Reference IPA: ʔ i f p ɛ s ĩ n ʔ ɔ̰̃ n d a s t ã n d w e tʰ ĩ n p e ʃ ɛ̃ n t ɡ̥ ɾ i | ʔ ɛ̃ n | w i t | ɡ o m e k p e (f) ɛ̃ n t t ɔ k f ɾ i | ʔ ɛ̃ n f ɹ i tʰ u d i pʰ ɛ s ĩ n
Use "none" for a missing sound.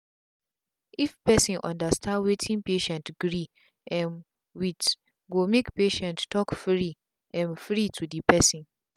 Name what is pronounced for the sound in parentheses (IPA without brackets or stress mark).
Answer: ʃ